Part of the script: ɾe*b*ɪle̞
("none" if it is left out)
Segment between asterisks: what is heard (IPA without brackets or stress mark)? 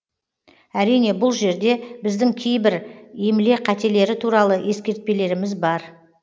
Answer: m